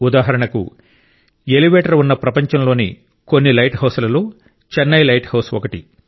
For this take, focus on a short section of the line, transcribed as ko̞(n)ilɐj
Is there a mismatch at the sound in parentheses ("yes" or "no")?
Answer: yes